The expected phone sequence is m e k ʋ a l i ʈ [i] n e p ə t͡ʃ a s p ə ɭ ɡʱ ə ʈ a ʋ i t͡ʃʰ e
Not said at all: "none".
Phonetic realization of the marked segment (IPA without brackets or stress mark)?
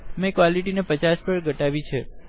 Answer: i